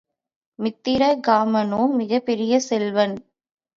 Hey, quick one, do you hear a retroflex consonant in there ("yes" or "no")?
no